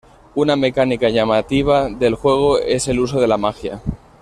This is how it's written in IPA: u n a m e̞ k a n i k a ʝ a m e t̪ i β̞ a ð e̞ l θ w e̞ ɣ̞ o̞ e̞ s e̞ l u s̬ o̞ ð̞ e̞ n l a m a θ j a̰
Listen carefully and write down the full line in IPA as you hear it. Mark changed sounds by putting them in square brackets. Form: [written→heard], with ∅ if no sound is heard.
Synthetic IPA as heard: u n a m e̞ k a n i k a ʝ a m [e→a] t̪ i β̞ a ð e̞ l [θ→x] w e̞ ɣ̞ o̞ e̞ s e̞ l u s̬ o̞ ð̞ e̞ [n→∅] l a m a [θ→x] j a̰